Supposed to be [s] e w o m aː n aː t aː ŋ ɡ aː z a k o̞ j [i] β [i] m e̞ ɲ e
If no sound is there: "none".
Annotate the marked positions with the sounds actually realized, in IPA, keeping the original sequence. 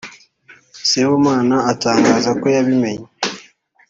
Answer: s, a, i

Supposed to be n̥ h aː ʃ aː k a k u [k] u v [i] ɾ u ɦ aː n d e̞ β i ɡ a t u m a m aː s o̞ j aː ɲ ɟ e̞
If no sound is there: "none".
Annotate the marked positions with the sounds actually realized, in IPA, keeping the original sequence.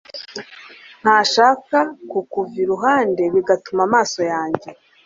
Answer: k, i

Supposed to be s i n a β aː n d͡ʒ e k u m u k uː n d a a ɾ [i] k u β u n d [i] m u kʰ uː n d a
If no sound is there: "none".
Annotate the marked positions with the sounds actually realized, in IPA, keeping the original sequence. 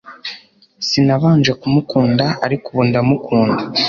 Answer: i, a

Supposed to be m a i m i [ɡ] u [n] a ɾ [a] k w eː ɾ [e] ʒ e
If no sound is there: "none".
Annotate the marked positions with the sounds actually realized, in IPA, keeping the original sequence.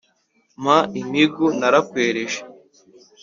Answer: ɡ, n, a, e

